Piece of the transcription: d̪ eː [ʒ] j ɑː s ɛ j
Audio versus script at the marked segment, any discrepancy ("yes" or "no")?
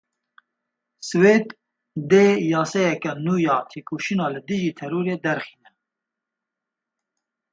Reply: yes